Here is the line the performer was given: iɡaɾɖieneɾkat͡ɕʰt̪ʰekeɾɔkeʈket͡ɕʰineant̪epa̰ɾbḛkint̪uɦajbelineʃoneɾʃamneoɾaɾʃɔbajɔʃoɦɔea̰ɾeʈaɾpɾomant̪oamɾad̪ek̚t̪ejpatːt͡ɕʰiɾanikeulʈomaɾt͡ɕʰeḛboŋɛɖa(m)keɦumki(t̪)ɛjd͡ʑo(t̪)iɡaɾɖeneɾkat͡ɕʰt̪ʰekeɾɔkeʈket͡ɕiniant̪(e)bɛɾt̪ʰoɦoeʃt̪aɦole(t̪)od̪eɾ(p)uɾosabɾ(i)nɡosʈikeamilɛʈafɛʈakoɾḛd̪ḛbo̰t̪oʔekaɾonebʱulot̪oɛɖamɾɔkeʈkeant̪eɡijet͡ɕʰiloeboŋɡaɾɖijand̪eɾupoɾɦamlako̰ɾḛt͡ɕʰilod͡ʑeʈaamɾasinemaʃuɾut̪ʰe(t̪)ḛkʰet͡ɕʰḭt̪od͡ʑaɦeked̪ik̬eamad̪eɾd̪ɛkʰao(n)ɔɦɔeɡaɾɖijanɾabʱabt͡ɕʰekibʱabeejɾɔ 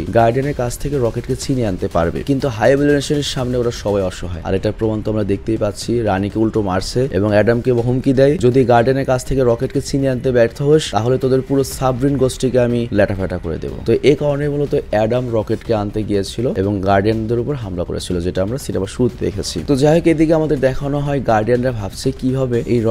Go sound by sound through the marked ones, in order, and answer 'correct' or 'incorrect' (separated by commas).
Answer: correct, incorrect, incorrect, correct, correct, correct, correct, incorrect, correct